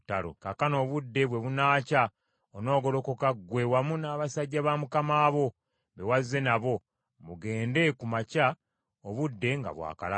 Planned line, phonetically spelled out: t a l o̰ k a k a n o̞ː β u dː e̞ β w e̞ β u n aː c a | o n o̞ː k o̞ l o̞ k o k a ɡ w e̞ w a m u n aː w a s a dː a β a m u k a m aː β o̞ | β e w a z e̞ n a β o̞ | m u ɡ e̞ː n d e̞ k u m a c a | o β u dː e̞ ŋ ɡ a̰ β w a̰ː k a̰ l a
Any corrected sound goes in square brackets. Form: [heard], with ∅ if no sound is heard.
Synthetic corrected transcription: t a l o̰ k a k a n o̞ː β u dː e̞ β w e̞ β u n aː c a | o n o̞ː [ɡ] o̞ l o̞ k o k a ɡ w e̞ w a m u n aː [β] a s a [ɟː] a β a m u k a m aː β o̞ | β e w a z e̞ n a β o̞ | m u ɡ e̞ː n d e̞ k u m a c a | o β u dː e̞ ŋ ɡ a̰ β w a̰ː k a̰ l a